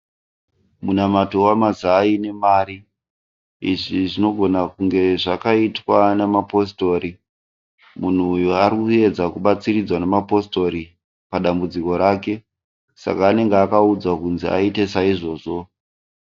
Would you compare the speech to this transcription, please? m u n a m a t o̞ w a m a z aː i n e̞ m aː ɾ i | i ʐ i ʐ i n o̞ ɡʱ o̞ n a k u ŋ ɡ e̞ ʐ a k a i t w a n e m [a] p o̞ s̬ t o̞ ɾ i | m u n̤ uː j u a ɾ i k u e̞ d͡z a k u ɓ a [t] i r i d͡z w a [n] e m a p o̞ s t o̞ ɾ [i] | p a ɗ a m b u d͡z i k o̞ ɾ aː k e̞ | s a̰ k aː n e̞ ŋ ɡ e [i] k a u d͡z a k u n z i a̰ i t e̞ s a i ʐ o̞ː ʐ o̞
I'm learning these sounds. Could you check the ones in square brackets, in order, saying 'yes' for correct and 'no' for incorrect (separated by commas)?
yes, no, yes, yes, no